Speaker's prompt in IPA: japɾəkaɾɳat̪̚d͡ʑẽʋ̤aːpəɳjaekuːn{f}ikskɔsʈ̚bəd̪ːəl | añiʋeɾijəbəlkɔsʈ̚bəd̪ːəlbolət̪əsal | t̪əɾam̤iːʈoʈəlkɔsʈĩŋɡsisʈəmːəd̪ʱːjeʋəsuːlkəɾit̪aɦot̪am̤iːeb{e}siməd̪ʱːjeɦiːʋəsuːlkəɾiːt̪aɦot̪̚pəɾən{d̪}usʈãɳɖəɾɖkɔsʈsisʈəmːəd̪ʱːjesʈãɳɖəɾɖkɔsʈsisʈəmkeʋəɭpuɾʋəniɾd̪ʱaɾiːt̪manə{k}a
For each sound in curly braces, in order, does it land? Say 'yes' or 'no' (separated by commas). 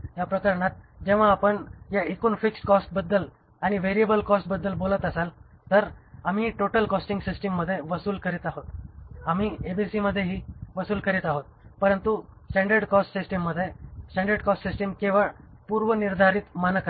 yes, no, no, yes